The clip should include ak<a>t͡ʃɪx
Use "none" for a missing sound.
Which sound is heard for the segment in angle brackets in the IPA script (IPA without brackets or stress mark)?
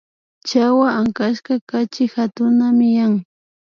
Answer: a